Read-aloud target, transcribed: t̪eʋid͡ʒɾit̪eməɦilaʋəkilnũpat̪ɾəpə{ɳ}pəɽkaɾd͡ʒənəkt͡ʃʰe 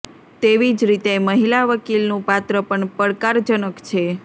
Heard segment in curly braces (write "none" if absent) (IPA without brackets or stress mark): ɳ